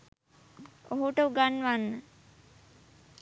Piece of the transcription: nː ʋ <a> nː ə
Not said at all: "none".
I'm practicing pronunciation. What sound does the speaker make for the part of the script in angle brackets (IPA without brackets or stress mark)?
a